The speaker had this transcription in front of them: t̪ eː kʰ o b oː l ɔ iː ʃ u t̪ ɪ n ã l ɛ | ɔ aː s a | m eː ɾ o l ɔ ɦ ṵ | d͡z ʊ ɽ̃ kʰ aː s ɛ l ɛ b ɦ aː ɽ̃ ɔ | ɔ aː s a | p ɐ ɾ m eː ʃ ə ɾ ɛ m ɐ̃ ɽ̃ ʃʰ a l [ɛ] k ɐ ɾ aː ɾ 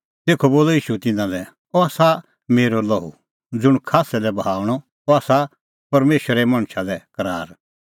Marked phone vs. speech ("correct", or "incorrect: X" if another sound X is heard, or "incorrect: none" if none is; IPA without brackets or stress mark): correct